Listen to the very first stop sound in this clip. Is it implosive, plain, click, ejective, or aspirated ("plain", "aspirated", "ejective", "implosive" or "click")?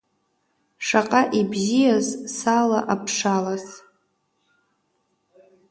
ejective